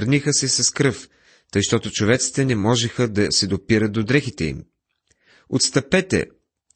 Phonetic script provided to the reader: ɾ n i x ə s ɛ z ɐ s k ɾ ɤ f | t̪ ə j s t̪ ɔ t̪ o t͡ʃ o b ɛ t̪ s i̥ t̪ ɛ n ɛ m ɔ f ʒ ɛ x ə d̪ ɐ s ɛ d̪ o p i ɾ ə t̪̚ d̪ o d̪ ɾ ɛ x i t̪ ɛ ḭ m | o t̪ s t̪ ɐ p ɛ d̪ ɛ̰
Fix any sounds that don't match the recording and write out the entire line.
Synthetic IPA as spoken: ɾ n i x ə s ɛ s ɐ s k ɾ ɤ f | t̪ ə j ʃ t̪ ɔ t̪ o t͡ʃ o v ɛ t̪ s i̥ t̪ ɛ n ɛ m ɔ ʒ ɛ x ə d̪ ɐ s ɛ d̪ o p i ɾ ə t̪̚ d̪ o d̪ ɾ ɛ x i t̪ ɛ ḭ m | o t̪ s t̪ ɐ p ɛ t̪ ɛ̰